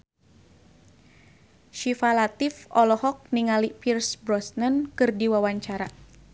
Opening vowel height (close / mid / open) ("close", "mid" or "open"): close